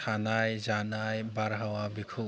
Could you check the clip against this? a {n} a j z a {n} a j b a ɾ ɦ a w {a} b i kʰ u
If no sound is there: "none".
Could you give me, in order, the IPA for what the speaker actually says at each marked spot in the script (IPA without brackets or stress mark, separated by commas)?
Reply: n, n, a